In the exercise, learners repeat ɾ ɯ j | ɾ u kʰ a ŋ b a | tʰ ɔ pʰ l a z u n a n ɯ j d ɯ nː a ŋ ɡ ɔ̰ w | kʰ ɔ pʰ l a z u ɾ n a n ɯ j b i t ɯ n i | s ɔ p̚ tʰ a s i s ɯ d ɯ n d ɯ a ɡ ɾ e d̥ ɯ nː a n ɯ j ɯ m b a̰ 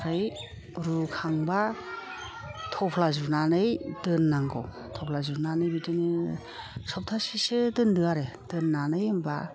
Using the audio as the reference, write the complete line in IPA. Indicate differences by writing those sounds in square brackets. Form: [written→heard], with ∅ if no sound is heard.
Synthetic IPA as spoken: ɾ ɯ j | ɾ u kʰ a ŋ b a | tʰ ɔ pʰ l a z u n a n ɯ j d ɯ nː a ŋ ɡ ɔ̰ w | [kʰ→tʰ] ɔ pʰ l a z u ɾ n a n ɯ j b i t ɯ n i | s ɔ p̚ tʰ a s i s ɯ d ɯ n d ɯ a [ɡ→∅] ɾ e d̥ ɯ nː a n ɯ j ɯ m b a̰